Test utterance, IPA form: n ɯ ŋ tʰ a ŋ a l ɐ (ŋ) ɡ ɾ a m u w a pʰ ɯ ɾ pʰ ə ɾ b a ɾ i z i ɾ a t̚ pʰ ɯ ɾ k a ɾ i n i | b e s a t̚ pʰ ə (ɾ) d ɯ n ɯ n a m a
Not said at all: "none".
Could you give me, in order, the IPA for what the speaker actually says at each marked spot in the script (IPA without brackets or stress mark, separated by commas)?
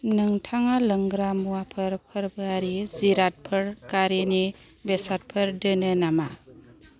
ŋ, ɾ